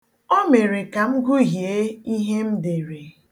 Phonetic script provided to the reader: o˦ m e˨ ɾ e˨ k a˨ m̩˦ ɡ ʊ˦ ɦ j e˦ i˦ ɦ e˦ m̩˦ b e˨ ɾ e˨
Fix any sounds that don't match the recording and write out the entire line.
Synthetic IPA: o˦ m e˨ ɾ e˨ k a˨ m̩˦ ɡ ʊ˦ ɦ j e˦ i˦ ɦ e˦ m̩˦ d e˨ ɾ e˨

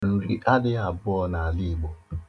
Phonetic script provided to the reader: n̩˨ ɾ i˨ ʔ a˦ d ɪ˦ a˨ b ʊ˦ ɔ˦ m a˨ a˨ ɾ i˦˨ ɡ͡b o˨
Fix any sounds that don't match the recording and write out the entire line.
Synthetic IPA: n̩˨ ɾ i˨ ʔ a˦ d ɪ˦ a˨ b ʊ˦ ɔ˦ n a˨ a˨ l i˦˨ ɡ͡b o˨

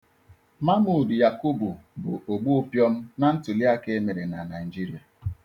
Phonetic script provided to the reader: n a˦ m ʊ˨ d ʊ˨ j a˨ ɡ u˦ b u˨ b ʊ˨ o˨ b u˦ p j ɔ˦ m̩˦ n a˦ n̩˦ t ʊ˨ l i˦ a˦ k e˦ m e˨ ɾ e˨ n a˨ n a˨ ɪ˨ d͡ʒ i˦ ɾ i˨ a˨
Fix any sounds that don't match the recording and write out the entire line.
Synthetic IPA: m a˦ m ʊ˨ d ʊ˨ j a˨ k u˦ b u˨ b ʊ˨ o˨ ɡ͡b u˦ p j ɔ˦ m̩˦ n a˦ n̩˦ t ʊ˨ l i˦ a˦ k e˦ m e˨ ɾ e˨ n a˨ n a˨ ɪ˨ d͡ʒ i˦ ɾ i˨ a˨

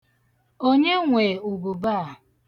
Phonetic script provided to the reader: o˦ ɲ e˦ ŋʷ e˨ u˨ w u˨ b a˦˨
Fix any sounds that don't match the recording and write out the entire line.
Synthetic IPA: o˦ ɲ e˦ ŋʷ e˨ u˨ b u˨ b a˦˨

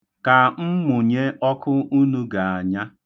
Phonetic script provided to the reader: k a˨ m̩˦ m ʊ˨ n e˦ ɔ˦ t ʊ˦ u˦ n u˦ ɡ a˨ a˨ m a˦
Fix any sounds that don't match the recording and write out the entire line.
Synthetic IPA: k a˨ m̩˦ m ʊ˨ ɲ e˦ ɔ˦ k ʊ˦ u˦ n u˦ ɡ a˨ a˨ ɲ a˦

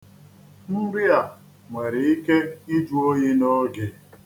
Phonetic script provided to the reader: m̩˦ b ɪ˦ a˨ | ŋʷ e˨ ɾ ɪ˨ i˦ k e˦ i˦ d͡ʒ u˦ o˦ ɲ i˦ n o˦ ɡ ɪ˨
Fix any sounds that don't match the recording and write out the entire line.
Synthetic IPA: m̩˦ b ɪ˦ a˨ | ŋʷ e˨ ɾ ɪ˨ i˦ k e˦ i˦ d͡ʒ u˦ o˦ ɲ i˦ n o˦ ɡ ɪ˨

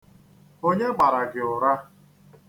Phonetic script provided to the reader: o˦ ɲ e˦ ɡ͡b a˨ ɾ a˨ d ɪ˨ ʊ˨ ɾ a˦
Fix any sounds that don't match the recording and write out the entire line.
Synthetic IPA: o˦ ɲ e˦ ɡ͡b a˨ ɾ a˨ ɡ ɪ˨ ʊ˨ ɾ a˦

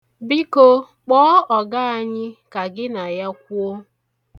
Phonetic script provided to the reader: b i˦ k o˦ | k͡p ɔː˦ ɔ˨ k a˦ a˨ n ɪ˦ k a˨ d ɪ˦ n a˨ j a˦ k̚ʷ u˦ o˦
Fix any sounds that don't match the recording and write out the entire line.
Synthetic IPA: b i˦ k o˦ | k͡p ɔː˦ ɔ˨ ɡ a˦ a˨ ɲ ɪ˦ k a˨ ɡ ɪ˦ n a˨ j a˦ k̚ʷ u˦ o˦

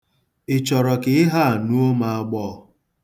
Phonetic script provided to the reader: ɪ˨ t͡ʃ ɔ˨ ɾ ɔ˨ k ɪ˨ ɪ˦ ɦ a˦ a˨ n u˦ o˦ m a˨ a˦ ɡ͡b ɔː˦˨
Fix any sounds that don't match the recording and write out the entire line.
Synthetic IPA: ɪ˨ t͡ʃ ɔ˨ ɾ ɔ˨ k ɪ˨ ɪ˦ ɦ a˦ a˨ n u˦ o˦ m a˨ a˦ ɡ͡b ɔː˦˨

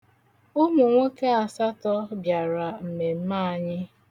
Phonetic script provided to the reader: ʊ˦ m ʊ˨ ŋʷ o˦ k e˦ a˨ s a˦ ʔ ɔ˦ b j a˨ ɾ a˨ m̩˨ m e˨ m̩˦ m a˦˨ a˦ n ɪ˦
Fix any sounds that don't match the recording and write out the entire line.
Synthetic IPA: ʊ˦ m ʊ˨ ŋʷ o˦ k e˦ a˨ s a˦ t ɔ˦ b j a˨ ɾ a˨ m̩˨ m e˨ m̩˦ m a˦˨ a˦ ɲ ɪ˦

